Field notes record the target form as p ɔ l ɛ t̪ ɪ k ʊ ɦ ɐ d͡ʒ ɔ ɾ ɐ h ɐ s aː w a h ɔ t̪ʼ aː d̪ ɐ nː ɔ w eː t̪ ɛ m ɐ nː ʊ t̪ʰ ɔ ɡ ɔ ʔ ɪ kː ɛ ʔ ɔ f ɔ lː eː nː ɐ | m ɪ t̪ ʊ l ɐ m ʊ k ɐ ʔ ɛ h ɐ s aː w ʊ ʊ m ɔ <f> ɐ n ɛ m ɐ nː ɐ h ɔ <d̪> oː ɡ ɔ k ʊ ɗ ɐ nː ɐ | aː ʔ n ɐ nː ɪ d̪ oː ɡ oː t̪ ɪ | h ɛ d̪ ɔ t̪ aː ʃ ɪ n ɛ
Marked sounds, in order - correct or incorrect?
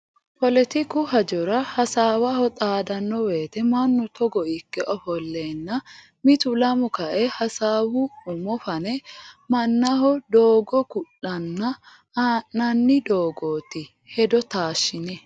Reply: correct, correct

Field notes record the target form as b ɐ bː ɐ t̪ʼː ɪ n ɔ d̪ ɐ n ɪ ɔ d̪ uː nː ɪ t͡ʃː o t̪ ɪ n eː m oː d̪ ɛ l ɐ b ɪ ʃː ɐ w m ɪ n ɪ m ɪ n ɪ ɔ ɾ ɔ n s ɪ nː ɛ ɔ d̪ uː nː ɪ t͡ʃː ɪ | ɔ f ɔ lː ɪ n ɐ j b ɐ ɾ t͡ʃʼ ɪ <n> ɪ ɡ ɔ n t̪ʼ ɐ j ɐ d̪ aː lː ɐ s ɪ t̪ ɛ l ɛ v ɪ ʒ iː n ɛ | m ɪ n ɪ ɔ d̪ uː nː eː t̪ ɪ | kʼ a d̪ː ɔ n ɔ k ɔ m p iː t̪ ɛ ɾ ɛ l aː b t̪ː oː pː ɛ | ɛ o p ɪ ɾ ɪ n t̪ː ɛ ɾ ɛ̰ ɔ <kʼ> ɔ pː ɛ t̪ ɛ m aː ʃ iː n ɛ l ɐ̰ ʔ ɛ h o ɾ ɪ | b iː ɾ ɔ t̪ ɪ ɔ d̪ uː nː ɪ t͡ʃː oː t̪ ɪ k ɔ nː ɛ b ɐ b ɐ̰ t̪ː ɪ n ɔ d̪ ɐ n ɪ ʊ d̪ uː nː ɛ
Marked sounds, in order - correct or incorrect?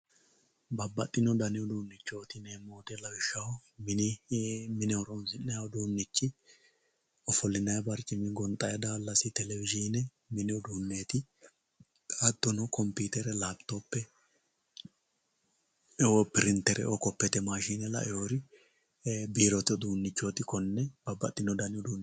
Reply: incorrect, incorrect

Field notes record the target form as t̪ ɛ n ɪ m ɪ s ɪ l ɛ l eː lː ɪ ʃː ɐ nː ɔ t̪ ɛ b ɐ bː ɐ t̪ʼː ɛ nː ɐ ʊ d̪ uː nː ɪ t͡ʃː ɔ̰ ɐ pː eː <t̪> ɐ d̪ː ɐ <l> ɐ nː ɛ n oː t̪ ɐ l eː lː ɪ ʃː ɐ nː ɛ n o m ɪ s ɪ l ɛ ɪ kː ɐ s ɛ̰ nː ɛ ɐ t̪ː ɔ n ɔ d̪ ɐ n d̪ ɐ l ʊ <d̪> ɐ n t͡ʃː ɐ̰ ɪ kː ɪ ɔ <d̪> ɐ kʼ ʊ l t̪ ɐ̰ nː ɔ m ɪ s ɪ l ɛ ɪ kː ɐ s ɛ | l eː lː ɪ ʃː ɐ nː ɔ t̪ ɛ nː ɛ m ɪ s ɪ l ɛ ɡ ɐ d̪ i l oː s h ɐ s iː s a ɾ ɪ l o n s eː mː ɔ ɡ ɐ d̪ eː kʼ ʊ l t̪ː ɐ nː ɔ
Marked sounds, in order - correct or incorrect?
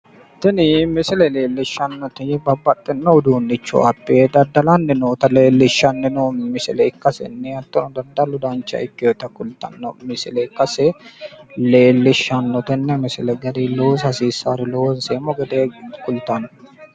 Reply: incorrect, correct, correct, incorrect

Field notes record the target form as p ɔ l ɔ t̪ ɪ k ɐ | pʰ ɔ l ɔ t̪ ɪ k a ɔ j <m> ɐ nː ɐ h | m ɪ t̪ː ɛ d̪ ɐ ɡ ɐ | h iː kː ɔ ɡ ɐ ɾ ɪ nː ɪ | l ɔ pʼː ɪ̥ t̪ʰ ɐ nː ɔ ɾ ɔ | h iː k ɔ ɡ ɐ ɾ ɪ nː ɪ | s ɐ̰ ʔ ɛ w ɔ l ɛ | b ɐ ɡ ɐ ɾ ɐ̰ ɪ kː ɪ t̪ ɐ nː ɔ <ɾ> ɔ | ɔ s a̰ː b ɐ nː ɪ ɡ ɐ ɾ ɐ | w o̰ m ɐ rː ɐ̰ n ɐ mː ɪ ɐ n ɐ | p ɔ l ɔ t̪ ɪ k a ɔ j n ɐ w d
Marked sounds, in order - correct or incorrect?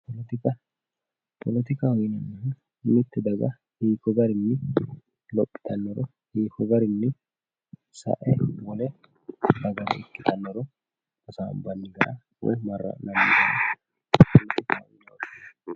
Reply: incorrect, correct

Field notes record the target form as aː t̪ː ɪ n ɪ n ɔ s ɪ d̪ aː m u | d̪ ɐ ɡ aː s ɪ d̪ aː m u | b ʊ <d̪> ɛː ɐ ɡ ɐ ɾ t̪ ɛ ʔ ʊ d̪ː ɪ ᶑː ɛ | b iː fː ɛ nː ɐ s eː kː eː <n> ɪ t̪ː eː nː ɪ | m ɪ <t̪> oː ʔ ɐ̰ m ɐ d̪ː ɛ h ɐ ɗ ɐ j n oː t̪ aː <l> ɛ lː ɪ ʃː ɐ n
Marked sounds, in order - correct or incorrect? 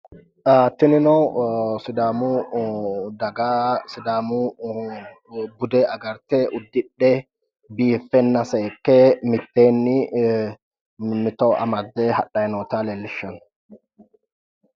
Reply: correct, incorrect, correct, correct

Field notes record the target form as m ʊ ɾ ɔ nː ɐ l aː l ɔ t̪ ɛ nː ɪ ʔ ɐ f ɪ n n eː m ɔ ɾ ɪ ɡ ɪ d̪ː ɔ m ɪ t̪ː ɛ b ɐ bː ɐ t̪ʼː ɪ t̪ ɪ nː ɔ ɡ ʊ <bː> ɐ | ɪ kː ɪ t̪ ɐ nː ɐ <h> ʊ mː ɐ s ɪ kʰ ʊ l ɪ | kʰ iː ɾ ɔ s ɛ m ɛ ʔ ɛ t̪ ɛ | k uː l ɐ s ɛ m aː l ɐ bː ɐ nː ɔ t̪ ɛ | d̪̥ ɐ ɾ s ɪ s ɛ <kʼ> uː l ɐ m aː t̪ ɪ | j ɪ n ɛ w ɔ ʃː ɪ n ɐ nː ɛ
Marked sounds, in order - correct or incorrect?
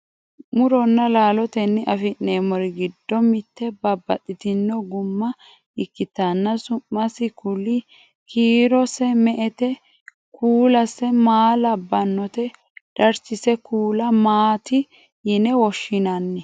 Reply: incorrect, incorrect, incorrect

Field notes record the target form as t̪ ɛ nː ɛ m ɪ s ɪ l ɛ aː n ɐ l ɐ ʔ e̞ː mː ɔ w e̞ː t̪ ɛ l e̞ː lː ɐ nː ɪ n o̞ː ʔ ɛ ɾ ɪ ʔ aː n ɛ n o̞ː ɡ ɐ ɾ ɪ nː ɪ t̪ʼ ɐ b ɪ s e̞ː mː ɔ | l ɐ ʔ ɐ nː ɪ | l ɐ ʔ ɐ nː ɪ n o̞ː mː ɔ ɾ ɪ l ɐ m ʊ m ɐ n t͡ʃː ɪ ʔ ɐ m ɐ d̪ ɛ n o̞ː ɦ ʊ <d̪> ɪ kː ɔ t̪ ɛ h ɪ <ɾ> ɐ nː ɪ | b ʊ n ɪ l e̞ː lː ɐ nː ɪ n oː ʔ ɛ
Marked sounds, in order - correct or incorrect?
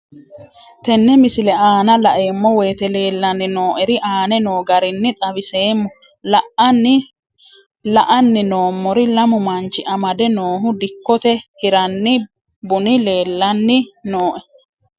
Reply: correct, correct

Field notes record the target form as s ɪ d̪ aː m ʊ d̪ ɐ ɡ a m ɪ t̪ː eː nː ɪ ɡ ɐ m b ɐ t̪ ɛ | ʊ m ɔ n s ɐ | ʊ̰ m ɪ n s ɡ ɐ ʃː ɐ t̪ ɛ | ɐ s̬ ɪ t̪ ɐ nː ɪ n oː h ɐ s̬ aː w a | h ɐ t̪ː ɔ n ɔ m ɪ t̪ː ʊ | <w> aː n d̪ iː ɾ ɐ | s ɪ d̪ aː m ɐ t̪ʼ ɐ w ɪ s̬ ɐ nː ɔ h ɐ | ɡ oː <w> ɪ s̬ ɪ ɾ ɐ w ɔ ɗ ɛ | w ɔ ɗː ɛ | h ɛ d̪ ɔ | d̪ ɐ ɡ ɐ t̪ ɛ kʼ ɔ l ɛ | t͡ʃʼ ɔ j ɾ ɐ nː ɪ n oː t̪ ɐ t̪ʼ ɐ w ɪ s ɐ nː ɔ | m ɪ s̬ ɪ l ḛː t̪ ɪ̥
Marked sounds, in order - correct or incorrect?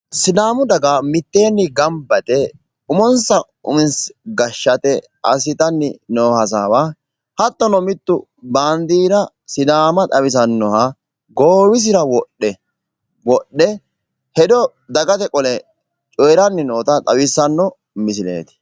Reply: incorrect, correct

